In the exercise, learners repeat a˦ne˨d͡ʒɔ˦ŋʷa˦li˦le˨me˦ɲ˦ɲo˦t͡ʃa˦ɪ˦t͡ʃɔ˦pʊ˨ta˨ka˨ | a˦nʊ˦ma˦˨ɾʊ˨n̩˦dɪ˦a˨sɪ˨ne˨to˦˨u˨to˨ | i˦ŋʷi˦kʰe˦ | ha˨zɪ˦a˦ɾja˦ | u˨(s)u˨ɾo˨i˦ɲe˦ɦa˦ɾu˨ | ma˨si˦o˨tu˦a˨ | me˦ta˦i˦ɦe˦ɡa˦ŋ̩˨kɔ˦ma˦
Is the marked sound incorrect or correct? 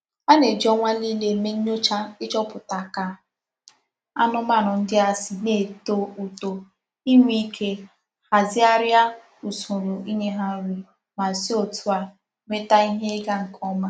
correct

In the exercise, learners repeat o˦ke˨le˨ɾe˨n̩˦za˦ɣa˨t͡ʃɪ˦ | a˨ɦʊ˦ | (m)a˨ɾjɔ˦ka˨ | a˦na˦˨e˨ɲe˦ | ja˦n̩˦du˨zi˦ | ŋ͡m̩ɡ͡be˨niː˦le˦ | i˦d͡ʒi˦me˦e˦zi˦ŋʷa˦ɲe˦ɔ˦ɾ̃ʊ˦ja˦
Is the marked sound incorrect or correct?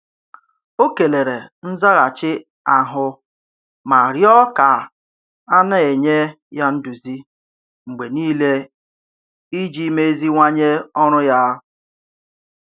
correct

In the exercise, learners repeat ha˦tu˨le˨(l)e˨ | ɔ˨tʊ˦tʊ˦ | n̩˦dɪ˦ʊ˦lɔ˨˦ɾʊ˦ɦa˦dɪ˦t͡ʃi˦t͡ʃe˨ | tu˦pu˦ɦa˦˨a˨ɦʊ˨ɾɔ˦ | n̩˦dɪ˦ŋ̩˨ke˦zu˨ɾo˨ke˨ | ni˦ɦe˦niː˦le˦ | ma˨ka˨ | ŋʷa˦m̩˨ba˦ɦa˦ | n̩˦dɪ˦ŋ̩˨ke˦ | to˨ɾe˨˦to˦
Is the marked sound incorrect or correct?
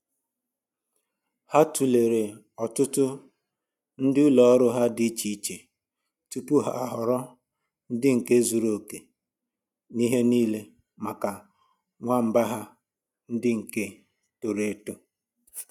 incorrect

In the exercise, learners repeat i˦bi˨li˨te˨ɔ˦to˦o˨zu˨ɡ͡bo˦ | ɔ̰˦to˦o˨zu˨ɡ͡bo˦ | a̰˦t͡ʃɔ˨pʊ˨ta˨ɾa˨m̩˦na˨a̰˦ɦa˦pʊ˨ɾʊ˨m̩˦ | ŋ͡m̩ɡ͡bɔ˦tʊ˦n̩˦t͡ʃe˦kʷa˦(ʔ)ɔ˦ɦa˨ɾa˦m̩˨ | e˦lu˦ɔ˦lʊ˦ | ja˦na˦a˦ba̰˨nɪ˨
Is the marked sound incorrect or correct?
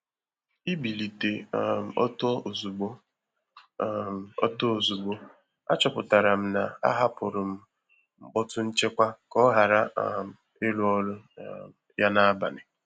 incorrect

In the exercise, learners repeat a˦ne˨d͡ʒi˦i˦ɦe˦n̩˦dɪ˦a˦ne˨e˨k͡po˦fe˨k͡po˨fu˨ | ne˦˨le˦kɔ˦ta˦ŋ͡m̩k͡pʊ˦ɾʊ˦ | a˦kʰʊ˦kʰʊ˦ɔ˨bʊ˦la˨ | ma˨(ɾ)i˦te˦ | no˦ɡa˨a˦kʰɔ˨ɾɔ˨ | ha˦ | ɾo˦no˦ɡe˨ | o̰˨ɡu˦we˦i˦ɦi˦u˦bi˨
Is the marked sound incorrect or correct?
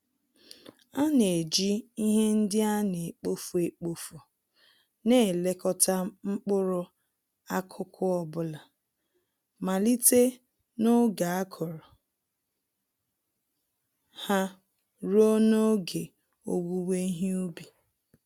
incorrect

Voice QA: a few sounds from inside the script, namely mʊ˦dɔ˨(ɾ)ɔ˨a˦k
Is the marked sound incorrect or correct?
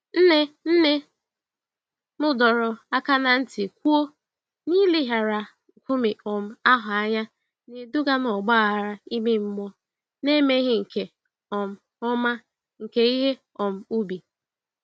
correct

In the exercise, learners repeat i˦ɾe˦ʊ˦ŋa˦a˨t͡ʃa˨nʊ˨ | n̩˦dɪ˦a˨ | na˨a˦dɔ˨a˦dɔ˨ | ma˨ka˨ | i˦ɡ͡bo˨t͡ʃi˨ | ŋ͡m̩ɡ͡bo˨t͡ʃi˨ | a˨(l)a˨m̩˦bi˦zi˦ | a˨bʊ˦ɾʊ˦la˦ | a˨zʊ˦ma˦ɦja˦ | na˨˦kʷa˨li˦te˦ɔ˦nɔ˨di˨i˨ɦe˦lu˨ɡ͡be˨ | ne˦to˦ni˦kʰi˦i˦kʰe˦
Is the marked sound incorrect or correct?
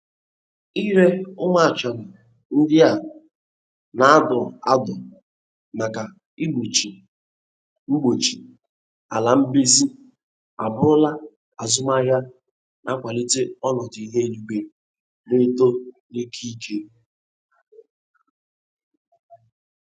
correct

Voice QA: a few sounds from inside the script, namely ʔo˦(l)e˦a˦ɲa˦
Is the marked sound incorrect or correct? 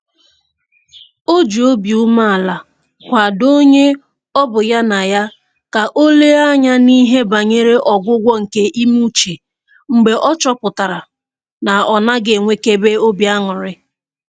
correct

